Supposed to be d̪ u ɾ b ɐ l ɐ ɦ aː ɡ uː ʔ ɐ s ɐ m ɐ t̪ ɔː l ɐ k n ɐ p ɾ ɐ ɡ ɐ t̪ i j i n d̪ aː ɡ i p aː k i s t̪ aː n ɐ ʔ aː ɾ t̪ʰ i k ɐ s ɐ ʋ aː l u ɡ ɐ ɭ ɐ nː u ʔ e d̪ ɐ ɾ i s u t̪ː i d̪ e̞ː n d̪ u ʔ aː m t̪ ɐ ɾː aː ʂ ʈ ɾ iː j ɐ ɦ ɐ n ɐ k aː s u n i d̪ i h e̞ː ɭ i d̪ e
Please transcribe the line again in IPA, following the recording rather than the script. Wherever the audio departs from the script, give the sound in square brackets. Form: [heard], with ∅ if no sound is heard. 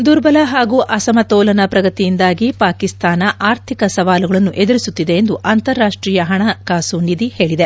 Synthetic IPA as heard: d̪ u ɾ b ɐ l ɐ ɦ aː ɡ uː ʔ ɐ s ɐ m ɐ t̪ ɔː l ɐ [∅] n ɐ p ɾ ɐ ɡ ɐ t̪ i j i n d̪ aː ɡ i p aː k i s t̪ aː n ɐ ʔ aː ɾ t̪ʰ i k ɐ s ɐ ʋ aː l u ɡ ɐ ɭ ɐ nː u ʔ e d̪ ɐ ɾ i s u t̪ː i d̪ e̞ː n d̪ u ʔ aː [n] t̪ ɐ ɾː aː ʂ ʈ ɾ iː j ɐ ɦ ɐ [ɳ] ɐ k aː s u n i d̪ i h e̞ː ɭ i d̪ e

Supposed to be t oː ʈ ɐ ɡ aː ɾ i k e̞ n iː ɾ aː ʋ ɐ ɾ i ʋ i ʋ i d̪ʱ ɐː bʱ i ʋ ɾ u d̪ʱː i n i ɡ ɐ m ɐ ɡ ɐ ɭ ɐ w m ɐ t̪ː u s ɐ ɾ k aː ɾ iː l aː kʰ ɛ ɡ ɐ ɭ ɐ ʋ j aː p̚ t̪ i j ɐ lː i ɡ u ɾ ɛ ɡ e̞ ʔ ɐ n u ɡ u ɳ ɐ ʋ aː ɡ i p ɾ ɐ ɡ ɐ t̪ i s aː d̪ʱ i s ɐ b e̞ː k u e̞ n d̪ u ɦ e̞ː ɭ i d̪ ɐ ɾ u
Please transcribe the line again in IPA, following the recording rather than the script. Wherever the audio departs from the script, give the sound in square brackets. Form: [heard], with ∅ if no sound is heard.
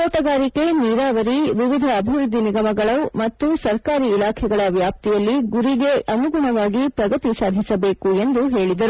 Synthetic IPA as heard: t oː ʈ ɐ ɡ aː ɾ i k e̞ n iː ɾ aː ʋ ɐ ɾ i ʋ i ʋ i d̪ʱ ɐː bʱ i ʋ ɾ u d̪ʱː i n i ɡ ɐ m ɐ ɡ ɐ ɭ ɐ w m ɐ t̪ː u s ɐ ɾ k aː ɾ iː l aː kʰ ɛ ɡ ɐ ɭ ɐ ʋ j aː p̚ t̪ i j ɐ lː i ɡ u ɾ [i] ɡ e̞ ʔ ɐ [m] u ɡ u ɳ ɐ ʋ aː ɡ i p ɾ ɐ ɡ ɐ t̪ i s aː d̪ʱ i s ɐ b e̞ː k u e̞ n d̪ u ɦ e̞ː ɭ i d̪ ɐ ɾ u

